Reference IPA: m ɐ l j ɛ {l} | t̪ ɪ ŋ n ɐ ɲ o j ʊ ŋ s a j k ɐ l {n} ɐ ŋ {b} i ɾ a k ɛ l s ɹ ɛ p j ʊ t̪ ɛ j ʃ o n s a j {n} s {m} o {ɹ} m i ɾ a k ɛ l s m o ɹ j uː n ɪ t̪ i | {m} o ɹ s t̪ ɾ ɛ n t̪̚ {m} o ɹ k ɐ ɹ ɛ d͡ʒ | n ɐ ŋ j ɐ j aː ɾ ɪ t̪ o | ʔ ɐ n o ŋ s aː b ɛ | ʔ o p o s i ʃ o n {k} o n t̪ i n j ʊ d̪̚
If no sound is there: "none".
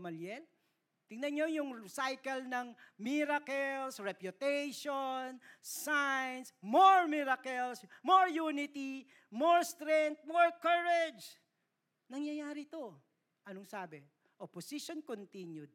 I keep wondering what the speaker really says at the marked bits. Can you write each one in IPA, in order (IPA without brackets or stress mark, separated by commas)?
l, n, m, n, m, ɹ, m, m, k